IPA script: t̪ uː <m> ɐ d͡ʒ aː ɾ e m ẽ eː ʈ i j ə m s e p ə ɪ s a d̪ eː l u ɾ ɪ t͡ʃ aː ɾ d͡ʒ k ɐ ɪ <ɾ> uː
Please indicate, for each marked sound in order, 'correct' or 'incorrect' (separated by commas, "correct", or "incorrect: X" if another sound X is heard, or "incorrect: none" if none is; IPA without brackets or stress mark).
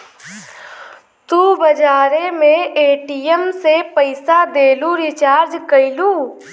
incorrect: b, incorrect: l